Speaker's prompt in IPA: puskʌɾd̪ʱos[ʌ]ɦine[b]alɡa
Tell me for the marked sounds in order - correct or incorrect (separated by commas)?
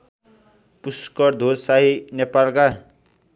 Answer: incorrect, incorrect